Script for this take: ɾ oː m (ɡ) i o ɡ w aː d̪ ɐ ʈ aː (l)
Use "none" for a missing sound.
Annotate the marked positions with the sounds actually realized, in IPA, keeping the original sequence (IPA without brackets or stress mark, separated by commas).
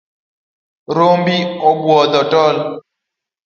b, l